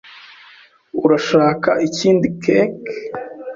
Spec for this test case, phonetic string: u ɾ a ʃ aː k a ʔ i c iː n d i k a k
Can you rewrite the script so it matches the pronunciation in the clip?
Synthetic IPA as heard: u ɾ a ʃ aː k a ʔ i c iː n d i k e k